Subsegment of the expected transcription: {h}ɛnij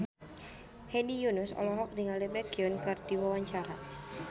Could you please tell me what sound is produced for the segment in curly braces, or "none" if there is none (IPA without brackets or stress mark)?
h